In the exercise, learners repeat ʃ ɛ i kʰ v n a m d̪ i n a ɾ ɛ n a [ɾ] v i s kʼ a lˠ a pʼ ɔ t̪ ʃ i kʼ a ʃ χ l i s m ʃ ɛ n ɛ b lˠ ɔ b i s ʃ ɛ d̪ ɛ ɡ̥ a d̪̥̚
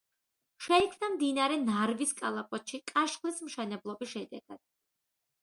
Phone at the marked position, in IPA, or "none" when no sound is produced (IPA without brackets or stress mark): ɾ